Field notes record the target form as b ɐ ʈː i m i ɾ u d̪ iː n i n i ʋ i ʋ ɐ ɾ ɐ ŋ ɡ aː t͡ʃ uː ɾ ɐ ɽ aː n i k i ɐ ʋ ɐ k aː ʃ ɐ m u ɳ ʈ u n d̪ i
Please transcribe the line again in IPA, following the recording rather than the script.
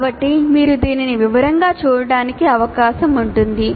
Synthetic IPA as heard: b ɐ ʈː i m iː ɾ u d̪ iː n i n i ʋ i ʋ ɐ ɾ ɐ ŋ ɡ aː t͡ʃ uː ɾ ɐ ɽ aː n i k i ɐ ʋ ɐ k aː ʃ ɐ m u ɳ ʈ u n d̪ i